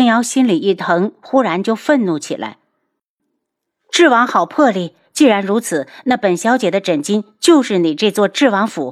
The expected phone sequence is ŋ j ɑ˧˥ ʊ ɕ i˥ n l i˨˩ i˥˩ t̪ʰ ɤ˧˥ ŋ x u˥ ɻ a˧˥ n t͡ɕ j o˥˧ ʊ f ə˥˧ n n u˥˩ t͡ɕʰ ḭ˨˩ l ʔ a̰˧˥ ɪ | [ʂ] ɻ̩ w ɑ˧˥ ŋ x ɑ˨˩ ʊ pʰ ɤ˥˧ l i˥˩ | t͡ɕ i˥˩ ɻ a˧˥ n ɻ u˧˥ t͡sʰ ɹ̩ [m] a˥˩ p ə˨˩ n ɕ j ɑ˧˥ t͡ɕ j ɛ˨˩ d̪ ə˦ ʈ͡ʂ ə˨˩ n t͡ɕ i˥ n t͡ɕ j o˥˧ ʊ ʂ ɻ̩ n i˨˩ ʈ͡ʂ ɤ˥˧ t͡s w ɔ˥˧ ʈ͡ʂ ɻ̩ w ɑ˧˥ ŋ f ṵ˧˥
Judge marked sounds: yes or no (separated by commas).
no, no